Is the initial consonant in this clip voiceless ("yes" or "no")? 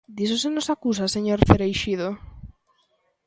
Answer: no